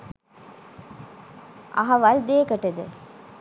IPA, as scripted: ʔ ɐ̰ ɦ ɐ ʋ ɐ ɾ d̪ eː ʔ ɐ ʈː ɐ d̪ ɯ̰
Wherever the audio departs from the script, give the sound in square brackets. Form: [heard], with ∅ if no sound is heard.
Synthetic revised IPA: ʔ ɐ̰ ɦ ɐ ʋ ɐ [l] d̪ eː [k] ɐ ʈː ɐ d̪ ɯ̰